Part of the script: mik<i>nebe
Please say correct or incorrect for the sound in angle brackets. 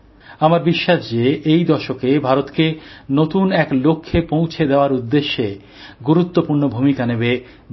incorrect